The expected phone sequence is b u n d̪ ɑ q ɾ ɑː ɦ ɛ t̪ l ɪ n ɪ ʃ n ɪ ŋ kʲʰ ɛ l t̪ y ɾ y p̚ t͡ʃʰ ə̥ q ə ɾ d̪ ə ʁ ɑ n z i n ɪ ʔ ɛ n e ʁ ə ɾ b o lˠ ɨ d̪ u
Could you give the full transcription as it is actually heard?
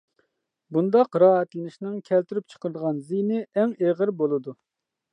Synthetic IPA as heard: b u n d̪ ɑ q ɾ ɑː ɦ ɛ t̪ l ɪ n ɪ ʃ n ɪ ŋ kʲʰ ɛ l t̪ y ɾ y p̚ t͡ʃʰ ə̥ q ə ɾ d̪ ə ʁ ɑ n z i n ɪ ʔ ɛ ŋ e ʁ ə ɾ b o lˠ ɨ d̪ u